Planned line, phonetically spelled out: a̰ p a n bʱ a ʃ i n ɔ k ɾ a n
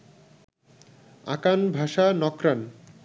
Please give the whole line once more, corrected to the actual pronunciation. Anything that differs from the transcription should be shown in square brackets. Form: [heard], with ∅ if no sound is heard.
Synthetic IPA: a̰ [k] a n bʱ a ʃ [a] n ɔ k ɾ a n